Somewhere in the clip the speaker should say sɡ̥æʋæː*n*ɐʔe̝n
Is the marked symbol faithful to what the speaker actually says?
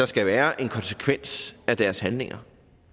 no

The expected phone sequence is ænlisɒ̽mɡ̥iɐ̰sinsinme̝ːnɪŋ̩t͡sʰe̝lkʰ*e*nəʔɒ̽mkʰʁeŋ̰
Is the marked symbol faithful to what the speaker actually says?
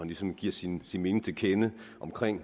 yes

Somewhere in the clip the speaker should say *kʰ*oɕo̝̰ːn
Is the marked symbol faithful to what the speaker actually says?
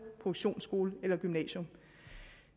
no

